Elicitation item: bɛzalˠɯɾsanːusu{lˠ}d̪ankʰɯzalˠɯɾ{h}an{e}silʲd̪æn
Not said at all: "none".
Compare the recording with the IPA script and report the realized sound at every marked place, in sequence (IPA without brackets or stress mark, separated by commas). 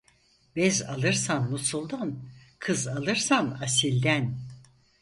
lˠ, s, a